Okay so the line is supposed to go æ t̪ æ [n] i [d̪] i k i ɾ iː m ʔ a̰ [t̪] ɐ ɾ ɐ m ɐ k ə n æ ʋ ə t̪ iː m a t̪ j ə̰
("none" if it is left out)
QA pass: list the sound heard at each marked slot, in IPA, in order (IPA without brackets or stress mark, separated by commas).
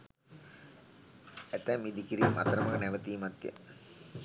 m, d̪, t̪